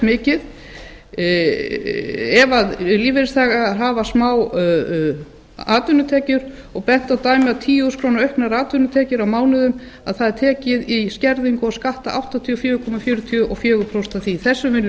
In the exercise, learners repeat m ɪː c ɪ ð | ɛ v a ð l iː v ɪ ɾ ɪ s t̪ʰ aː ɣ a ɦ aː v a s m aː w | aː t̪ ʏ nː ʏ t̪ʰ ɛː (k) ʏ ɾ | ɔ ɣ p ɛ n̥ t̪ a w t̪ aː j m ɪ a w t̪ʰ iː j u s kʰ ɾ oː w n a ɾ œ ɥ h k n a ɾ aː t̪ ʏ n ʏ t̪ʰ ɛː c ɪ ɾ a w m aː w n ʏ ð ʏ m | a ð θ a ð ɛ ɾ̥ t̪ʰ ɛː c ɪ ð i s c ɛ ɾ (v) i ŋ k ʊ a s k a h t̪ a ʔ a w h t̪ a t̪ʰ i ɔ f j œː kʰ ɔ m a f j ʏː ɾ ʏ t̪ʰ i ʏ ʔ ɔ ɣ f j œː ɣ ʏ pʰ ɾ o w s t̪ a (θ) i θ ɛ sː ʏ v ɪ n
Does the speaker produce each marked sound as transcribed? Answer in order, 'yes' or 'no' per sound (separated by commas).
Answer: no, no, yes